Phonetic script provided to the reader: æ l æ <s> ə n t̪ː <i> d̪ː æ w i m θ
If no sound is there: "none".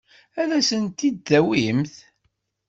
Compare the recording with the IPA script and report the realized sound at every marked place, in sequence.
s, i

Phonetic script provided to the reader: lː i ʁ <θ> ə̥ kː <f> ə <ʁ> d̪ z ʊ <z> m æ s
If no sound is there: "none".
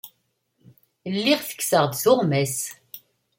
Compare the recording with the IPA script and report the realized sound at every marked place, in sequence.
θ, s, ʁ, ʁ

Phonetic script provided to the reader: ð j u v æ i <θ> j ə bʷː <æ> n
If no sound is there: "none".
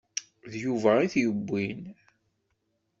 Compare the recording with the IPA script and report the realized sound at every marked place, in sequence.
θ, i

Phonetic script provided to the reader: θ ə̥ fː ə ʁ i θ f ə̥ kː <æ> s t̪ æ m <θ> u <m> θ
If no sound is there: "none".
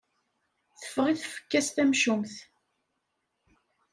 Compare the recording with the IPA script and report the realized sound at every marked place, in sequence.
æ, ʃ, m

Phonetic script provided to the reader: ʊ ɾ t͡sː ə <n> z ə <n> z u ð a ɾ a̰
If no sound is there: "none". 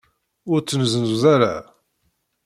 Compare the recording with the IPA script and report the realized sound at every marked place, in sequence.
n, n

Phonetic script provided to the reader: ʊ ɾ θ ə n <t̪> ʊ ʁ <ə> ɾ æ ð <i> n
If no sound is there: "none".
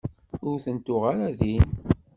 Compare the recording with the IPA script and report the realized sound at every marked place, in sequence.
t̪, a, i

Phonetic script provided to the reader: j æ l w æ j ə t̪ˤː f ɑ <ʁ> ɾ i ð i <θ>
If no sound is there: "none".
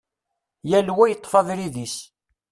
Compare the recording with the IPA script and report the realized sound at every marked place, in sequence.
ð, s

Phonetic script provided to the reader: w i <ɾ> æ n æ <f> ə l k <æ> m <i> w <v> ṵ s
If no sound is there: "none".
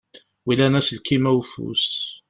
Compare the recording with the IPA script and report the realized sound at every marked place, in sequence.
l, s, i, æ, f

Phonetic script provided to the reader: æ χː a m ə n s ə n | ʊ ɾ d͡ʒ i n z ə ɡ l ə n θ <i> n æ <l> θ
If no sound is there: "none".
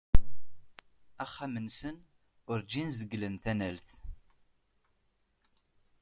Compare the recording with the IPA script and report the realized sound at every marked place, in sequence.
æ, l

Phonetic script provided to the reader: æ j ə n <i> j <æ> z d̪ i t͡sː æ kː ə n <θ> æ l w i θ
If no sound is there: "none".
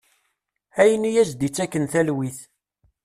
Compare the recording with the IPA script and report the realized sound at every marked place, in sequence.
i, æ, θ

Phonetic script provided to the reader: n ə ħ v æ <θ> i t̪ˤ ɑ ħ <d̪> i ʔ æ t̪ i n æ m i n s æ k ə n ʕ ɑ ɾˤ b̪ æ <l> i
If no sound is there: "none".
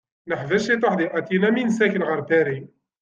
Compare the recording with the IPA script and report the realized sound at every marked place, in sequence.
ʃ, d̪, ɾ

